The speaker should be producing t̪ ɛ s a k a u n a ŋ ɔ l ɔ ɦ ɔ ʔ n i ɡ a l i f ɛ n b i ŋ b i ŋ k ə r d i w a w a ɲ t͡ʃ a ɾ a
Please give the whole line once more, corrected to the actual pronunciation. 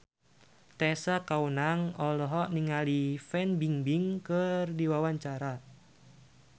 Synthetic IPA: t̪ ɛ s a k a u n a ŋ ɔ l ɔ ɦ ɔ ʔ n i ŋ a l i f ɛ n b i ŋ b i ŋ k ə r d i w a w a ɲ t͡ʃ a ɾ a